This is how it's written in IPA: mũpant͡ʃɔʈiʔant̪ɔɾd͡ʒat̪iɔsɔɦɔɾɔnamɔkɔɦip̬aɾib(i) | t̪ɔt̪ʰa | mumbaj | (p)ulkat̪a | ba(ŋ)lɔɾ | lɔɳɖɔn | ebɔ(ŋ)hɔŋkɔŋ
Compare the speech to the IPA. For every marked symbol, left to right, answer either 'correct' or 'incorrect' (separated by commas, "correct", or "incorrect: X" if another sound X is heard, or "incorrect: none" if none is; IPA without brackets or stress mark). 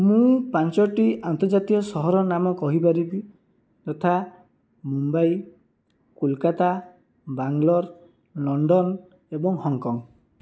correct, incorrect: k, correct, correct